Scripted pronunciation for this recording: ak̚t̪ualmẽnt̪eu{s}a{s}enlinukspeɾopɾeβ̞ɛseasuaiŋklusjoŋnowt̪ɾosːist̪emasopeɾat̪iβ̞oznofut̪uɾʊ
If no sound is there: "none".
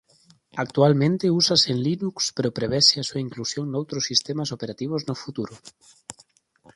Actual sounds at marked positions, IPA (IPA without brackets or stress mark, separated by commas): s, s